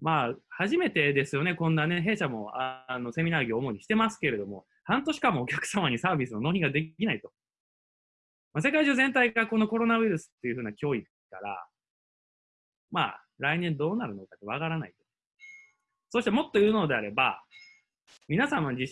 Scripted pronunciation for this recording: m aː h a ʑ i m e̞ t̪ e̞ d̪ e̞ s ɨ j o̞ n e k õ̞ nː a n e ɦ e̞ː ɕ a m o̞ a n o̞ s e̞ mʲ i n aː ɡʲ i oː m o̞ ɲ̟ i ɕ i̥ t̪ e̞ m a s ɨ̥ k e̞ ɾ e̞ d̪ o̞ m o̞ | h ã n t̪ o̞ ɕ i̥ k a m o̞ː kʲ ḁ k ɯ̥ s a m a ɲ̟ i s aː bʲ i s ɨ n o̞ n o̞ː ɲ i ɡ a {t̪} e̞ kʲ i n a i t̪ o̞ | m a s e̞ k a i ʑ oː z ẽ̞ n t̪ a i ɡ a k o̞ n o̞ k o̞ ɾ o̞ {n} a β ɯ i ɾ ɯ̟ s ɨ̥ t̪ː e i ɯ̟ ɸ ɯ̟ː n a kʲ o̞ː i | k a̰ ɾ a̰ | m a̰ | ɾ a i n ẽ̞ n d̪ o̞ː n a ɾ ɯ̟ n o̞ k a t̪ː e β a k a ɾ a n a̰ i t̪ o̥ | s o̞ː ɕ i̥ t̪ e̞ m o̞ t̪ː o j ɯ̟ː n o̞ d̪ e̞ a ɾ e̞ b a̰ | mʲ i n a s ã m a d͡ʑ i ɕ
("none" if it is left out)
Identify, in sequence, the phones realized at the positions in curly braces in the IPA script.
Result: d̪, n

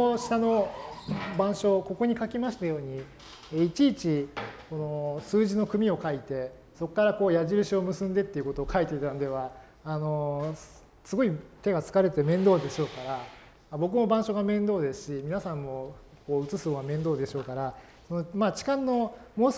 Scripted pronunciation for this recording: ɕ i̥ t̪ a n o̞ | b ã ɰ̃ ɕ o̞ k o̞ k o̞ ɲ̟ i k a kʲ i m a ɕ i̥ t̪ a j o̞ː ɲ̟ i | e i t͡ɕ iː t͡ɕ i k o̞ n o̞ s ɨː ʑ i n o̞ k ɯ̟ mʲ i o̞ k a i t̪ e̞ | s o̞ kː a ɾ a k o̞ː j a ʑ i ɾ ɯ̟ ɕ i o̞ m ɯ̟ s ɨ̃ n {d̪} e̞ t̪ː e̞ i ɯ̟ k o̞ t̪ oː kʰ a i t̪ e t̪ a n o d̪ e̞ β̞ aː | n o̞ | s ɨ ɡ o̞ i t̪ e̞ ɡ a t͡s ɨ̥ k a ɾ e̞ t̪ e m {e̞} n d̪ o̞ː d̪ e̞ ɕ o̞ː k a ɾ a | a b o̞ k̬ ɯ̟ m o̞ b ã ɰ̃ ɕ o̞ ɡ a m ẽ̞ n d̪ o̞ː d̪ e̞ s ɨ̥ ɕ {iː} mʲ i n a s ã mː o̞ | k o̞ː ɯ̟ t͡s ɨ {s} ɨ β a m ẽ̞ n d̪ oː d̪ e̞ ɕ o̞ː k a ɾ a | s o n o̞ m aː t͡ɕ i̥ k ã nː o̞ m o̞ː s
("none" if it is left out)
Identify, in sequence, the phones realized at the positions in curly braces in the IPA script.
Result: d̪, ẽ̞, i, s

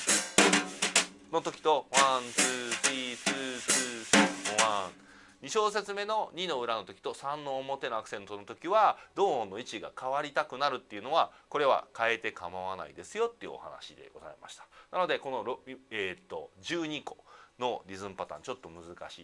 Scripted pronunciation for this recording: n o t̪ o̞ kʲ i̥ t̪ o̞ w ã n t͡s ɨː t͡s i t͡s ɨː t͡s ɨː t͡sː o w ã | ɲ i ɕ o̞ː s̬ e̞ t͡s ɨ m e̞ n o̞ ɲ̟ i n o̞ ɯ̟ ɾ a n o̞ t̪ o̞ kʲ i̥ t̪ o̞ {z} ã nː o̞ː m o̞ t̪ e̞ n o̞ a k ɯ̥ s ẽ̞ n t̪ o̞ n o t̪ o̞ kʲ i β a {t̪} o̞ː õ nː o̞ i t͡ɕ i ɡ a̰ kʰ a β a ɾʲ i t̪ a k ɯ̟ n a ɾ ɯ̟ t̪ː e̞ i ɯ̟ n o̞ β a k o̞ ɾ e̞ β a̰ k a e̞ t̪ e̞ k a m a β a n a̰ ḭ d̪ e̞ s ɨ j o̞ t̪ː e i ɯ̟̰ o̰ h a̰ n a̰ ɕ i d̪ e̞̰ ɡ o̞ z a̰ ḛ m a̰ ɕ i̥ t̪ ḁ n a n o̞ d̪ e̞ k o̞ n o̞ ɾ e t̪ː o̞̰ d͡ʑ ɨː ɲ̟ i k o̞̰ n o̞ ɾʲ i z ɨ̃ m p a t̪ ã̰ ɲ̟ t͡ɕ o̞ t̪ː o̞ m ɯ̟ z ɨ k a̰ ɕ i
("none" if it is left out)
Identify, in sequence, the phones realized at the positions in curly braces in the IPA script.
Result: s, d̪

